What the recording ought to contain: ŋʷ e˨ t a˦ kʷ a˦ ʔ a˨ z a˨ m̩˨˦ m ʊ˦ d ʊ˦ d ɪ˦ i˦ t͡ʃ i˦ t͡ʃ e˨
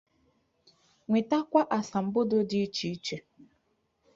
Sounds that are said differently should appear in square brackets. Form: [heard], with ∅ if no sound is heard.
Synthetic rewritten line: ŋʷ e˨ t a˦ kʷ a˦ ʔ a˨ [s] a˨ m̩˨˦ [b] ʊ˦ d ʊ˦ d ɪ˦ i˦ t͡ʃ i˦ t͡ʃ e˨